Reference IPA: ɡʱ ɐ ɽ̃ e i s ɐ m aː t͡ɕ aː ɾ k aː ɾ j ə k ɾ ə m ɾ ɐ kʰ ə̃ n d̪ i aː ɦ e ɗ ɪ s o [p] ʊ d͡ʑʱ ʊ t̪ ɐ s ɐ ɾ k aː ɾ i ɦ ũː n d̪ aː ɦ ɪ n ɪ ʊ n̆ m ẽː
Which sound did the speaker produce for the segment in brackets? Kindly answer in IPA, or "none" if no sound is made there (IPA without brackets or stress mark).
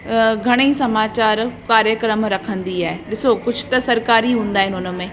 k